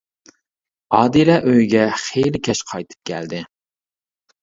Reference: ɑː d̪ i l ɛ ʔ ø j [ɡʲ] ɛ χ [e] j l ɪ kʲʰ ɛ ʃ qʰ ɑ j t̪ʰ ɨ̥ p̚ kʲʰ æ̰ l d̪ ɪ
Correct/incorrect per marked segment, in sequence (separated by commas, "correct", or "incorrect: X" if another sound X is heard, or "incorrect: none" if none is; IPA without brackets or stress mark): correct, correct